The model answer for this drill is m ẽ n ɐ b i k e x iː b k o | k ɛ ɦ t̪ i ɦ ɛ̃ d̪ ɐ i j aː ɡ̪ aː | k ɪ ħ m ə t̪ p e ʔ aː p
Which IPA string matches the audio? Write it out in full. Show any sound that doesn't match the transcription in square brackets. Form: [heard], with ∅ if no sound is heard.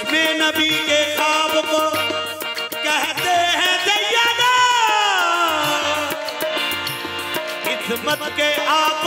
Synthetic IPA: m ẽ n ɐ b i k e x [aː] b k o | k ɛ ɦ t̪ [e] ɦ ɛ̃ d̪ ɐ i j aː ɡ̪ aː | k ɪ [s] m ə t̪ [k] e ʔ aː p